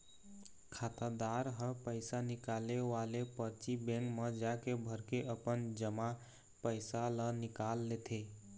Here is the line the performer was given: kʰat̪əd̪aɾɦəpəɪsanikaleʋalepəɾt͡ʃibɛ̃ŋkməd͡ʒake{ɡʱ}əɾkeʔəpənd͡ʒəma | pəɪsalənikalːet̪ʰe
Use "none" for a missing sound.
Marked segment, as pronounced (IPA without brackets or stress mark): bʱ